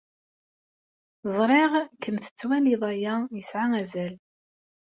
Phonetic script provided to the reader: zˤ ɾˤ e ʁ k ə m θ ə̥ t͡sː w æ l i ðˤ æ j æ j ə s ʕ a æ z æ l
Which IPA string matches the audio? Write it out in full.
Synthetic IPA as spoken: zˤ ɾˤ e ʁ k ə m θ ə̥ t͡sː w æ l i ðˤ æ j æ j ə s ʕ a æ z æ l